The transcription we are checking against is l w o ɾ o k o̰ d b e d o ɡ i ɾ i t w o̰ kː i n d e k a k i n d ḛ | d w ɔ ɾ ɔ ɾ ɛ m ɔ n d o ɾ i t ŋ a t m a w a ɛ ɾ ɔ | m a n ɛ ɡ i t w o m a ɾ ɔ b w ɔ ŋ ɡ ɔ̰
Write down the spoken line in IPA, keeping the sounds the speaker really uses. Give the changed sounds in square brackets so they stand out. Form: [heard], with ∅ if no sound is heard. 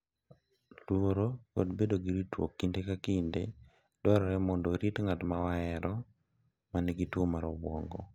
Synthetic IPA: l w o ɾ o k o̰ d b e d o ɡ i ɾ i t w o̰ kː i n d e k a k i n d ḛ | d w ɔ ɾ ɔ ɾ ɛ m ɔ n d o ɾ i t ŋ a t m a w a ɛ ɾ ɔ | m a n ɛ ɡ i t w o m a ɾ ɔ b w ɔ ŋ ɡ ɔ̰

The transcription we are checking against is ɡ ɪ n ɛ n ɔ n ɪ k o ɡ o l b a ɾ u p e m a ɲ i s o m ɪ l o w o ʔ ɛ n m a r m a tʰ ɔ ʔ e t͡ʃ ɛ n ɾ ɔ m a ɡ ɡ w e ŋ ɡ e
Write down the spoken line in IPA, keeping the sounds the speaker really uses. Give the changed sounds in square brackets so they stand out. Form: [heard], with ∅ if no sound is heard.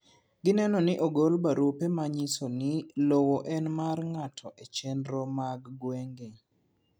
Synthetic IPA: ɡ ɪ n ɛ n ɔ n ɪ [ʔ] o ɡ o l b a ɾ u p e m a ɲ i s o [n] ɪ l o w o ʔ ɛ n m a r [ŋ] a tʰ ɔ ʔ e t͡ʃ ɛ n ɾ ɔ m a ɡ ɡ w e ŋ ɡ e

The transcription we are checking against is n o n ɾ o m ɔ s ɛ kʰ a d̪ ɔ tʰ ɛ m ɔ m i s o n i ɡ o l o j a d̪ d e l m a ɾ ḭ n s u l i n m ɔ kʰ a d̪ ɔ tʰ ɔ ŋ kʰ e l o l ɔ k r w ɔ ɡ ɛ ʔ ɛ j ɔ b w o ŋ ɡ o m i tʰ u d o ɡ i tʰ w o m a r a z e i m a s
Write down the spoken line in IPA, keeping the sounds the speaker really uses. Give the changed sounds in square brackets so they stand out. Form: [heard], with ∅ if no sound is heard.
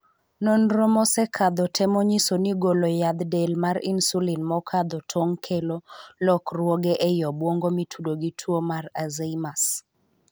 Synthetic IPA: n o n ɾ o m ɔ s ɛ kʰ a d̪ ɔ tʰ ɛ m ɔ [ɲ] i s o n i ɡ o l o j a d̪ d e l m a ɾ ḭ n s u l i n m ɔ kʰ a d̪ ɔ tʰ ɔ ŋ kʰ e l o l ɔ k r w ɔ ɡ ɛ ʔ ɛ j ɔ b w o ŋ ɡ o m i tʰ u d o ɡ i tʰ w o m a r a z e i m a s

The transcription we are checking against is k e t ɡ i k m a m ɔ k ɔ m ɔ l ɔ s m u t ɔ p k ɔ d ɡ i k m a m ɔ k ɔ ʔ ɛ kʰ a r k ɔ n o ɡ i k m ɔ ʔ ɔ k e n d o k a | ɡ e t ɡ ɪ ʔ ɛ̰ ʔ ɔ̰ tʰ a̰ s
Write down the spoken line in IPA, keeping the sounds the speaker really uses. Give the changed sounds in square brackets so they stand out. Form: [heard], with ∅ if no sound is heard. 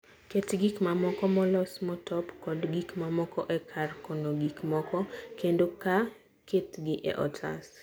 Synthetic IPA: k e t ɡ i k m a m ɔ k ɔ m ɔ l ɔ s m [ɔ] t ɔ p k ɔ d ɡ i k m a m ɔ k ɔ ʔ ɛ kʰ a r k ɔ n o ɡ i k m ɔ [k] ɔ k e n d o k a | [k] e t ɡ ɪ ʔ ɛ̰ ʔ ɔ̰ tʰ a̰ s

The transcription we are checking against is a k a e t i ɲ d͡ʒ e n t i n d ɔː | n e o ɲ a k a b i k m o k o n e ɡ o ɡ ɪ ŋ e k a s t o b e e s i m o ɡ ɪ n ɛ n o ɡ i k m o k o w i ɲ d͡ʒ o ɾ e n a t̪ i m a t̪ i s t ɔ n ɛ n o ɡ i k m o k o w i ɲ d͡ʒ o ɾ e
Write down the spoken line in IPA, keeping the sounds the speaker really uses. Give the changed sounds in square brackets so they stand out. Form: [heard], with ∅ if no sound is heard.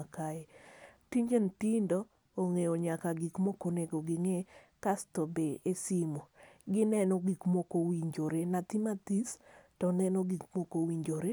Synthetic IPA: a k a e t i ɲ d͡ʒ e n t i n d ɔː | [ŋ] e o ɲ a k a [ɡ] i k m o k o n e ɡ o ɡ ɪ ŋ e k a s t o b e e s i m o ɡ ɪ n ɛ n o ɡ i k m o k o w i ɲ d͡ʒ o ɾ e n a t̪ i m a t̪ i s t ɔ n ɛ n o ɡ i k m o k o w i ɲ d͡ʒ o ɾ e

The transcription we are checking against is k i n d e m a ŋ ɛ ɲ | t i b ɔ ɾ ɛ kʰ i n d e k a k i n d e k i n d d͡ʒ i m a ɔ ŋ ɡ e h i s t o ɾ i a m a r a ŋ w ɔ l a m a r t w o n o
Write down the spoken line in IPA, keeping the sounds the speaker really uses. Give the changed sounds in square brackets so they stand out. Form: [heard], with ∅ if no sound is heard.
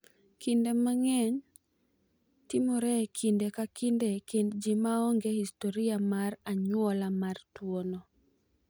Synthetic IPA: k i n d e m a ŋ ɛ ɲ | t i [m] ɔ ɾ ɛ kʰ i n d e k a k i n d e k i n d d͡ʒ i m a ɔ ŋ ɡ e h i s t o ɾ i a m a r a [ɲ] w ɔ l a m a r t w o n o

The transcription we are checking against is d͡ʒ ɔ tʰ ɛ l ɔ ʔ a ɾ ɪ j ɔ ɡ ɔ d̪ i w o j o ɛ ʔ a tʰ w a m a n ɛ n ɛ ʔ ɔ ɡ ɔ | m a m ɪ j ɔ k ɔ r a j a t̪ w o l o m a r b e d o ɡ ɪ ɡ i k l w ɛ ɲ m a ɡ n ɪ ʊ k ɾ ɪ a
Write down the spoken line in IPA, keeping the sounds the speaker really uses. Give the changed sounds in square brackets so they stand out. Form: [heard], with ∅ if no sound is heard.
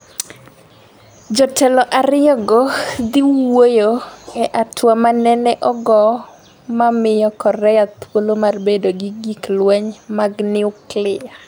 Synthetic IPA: d͡ʒ ɔ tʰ ɛ l ɔ ʔ a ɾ ɪ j ɔ ɡ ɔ d̪ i w o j o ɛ ʔ a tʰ w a m a n ɛ n ɛ ʔ ɔ ɡ ɔ | m a m ɪ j ɔ k ɔ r [ɛ] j a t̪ w o l o m a r b e d o ɡ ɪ ɡ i k l w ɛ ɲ m a ɡ n ɪ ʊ k [l] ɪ a

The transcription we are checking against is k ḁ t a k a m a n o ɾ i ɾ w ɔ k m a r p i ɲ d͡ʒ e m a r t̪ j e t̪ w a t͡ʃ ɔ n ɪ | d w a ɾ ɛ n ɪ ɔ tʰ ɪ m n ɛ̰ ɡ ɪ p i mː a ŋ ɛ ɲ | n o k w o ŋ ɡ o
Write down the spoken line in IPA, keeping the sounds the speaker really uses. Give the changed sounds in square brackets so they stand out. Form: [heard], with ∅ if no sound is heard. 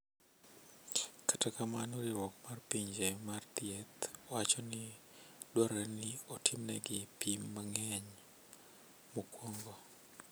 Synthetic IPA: k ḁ t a k a m a n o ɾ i ɾ w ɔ k m a r p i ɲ d͡ʒ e m a r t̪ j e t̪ w a t͡ʃ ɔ n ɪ | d w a ɾ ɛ n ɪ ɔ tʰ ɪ m n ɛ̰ ɡ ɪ p i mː a ŋ ɛ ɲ | [m] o k w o ŋ ɡ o

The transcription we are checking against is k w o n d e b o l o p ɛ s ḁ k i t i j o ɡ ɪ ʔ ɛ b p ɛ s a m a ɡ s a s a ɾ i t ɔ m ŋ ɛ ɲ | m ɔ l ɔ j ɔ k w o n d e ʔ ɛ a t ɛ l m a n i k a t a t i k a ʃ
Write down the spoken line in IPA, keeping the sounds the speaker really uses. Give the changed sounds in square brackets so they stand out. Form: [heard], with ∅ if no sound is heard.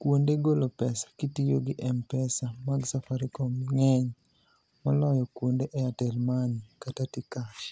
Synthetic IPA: k w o n d e [ɡ] o l o p ɛ s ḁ k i t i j o ɡ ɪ ʔ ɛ [m] p ɛ s a m a ɡ s a [f] a ɾ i [k] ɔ m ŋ ɛ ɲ | m ɔ l ɔ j ɔ k w o n d e ʔ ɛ a t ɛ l m a n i k a t a t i k a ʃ

